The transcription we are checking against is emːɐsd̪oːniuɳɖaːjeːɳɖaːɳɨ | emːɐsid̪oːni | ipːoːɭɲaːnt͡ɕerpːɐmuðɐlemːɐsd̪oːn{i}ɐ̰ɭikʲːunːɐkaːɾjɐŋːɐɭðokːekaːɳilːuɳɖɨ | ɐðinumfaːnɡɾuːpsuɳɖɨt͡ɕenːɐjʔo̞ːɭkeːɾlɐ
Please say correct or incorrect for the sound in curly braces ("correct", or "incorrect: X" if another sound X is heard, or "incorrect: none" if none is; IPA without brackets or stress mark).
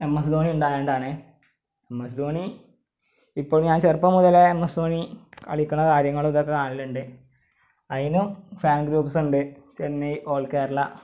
correct